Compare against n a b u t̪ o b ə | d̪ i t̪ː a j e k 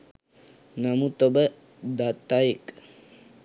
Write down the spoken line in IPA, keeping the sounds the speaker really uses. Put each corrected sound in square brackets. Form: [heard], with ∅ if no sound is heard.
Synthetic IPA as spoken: n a [m] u t̪ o b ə | d̪ [a] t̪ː a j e k